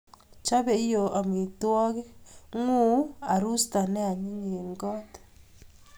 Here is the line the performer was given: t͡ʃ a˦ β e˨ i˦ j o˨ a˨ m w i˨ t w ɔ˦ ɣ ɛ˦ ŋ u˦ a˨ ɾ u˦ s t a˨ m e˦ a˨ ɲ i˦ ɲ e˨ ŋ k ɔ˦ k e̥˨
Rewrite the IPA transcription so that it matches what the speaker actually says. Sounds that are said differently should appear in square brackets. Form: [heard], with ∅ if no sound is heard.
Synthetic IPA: t͡ʃ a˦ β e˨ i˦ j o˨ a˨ m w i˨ t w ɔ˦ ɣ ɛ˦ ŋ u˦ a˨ ɾ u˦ s t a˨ [n] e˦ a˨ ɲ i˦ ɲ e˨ ŋ [ɡ] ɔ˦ [t] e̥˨